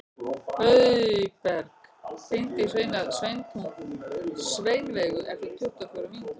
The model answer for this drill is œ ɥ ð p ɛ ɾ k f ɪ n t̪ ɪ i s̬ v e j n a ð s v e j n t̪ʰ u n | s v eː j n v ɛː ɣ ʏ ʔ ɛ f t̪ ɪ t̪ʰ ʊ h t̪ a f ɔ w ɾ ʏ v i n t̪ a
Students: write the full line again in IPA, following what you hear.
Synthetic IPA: œ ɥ ð p ɛ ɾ k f ɪ n t̪ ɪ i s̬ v e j n a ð s v e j n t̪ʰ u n | s v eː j n v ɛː ɣ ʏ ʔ ɛ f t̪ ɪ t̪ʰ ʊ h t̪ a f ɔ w ɾ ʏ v i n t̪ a